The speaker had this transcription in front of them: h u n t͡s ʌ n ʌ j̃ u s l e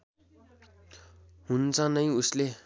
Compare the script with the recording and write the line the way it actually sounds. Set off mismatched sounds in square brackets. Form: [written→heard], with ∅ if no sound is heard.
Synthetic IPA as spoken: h u n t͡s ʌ n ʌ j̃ u s l e